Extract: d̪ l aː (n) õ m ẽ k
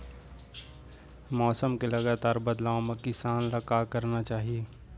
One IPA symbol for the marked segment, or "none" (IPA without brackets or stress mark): none